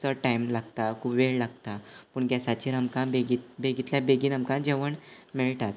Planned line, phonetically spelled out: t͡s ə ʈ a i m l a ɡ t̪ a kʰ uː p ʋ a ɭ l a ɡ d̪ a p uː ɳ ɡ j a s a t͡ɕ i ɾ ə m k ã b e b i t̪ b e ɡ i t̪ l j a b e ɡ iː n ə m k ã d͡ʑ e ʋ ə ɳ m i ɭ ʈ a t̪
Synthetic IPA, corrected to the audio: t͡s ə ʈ a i m l a ɡ t̪ a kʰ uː p ʋ e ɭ l a ɡ t̪ a p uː ɳ ɡ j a s a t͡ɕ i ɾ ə m k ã b e ɡ i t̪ b e ɡ i t̪ l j a b e ɡ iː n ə m k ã d͡ʑ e ʋ ə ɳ m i ɭ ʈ a t̪